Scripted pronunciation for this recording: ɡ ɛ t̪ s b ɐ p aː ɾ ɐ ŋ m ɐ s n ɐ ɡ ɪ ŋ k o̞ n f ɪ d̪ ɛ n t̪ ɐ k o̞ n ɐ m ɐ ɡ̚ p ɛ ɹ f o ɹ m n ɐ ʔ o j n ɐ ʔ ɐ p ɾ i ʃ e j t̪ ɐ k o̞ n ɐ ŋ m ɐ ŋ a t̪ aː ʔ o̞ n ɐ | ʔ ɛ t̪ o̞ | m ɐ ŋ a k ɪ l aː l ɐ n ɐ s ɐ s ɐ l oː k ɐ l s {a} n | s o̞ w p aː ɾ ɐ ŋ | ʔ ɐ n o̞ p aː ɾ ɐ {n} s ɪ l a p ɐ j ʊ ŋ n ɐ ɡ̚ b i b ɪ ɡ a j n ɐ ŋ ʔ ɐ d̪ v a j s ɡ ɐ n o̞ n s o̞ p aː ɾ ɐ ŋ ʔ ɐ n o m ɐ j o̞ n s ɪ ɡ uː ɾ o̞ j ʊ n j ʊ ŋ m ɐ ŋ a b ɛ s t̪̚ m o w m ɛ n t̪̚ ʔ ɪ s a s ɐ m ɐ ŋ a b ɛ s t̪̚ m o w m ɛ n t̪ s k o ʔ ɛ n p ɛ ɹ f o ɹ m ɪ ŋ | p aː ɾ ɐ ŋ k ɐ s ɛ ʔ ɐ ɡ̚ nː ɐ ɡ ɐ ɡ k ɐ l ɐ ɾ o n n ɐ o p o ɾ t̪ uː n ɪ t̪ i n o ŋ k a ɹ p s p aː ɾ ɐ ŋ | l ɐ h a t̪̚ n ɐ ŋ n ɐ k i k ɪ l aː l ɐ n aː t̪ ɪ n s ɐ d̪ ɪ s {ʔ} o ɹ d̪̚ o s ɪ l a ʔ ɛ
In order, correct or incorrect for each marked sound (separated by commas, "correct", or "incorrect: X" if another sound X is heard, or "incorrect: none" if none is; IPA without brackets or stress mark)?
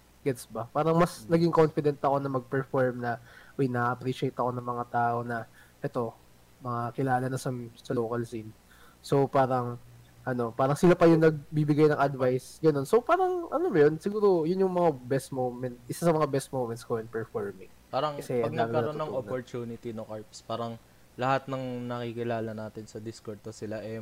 incorrect: i, incorrect: ŋ, incorrect: k